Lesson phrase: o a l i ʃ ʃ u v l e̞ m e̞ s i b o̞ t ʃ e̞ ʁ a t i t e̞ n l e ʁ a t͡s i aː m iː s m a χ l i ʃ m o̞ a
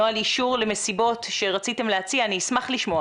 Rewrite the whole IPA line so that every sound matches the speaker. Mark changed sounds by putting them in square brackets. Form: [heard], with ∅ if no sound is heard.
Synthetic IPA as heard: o a l i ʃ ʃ u [ʁ] l e̞ m e̞ s i b o̞ t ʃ e̞ ʁ a [t͡s] i t e̞ [m] l e [∅] a t͡s i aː [n] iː s m a χ l i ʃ m o̞ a